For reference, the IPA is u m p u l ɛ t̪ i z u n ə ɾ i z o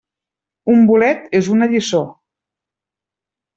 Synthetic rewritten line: u m b u l ɛ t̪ e z u n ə ʎ i s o